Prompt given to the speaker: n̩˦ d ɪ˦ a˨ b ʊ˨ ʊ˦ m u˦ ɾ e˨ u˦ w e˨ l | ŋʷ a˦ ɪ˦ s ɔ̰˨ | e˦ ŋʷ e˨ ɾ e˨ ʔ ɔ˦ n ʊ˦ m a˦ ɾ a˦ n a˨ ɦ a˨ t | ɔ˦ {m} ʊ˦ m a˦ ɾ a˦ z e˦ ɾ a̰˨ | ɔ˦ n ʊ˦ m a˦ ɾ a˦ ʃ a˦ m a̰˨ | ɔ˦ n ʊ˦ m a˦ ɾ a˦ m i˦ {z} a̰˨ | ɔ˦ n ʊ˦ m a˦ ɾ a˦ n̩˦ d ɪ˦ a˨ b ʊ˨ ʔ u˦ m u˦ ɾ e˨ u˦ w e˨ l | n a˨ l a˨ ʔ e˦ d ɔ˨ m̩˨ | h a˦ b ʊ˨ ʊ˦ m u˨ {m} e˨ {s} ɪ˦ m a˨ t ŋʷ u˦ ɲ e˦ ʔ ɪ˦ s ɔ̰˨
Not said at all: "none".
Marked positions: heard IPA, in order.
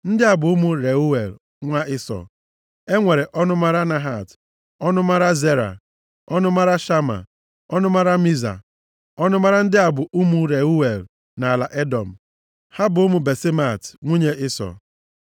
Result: n, z, b, s

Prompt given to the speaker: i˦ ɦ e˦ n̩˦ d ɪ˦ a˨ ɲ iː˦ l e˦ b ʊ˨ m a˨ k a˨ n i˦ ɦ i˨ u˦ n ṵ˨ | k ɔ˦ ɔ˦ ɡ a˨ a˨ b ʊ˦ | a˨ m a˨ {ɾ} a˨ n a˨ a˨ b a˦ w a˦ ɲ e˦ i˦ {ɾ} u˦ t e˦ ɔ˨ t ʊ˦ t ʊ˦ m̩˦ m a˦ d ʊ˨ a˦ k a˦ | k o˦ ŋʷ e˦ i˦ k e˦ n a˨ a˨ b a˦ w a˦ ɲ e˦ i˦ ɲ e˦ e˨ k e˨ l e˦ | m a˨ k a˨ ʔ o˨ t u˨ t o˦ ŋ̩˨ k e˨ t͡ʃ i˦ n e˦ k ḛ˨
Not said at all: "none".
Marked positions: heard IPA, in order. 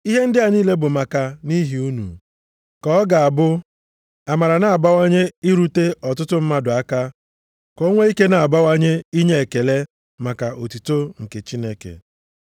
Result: ɾ, ɾ

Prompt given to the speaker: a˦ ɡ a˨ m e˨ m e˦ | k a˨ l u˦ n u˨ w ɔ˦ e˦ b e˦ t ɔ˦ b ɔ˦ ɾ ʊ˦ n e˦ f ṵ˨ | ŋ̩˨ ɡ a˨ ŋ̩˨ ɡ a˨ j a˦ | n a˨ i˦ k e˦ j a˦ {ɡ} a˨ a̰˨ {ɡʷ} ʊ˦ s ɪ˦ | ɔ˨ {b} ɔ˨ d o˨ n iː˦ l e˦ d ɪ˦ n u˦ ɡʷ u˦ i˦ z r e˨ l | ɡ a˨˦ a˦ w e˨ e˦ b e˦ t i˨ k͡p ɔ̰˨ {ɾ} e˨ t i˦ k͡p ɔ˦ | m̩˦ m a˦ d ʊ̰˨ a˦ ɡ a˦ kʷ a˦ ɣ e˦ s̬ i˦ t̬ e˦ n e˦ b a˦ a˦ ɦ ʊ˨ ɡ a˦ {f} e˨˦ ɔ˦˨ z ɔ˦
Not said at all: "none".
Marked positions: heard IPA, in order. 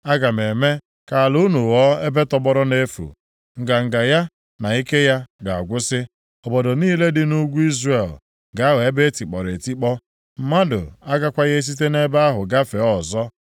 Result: ɡ, ɡʷ, b, ɾ, f

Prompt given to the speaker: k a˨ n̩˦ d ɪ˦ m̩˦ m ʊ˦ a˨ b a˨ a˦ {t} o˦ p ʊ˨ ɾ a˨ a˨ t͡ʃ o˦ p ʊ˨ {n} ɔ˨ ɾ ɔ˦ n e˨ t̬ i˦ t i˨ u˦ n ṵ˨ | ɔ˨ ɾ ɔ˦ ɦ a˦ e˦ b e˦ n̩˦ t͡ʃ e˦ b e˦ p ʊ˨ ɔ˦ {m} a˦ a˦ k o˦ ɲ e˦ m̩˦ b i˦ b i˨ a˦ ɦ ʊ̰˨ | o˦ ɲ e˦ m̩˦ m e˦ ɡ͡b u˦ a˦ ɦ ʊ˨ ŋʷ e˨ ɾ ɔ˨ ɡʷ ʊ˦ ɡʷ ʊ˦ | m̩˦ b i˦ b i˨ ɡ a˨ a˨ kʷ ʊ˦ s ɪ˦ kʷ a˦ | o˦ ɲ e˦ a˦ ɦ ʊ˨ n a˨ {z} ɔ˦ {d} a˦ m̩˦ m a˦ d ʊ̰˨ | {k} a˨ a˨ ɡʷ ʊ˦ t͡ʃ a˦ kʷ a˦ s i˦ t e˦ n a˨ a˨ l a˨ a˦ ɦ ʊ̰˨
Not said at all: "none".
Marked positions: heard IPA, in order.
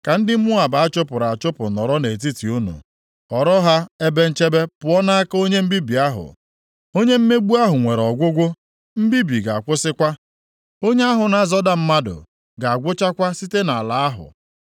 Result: t͡ʃ, n, n, z, d, ɡ

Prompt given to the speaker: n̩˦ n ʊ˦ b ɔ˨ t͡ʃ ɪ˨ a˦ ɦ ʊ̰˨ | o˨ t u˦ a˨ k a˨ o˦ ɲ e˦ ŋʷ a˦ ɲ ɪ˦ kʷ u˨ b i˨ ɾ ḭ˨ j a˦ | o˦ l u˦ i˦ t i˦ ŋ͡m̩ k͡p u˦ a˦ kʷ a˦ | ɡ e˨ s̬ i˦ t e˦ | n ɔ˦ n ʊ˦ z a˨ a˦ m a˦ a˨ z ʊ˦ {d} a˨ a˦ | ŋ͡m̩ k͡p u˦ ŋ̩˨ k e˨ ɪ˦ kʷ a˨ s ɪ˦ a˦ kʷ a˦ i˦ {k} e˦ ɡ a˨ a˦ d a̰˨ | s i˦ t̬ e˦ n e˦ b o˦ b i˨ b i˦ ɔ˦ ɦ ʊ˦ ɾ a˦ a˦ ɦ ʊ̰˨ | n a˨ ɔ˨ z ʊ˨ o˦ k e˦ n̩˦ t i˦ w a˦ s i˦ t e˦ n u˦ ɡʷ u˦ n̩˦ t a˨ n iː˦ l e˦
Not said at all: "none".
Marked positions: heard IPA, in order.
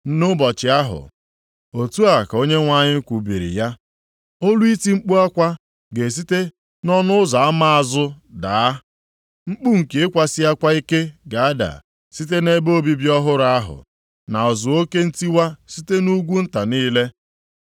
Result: d, k

